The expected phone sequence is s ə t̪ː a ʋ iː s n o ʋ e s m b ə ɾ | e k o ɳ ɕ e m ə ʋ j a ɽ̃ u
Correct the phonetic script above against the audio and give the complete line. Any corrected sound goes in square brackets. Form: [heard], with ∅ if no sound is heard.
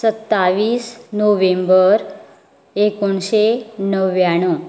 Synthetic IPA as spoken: s ə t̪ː a ʋ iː s n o ʋ e [∅] m b ə ɾ | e k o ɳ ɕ e [n] ə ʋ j a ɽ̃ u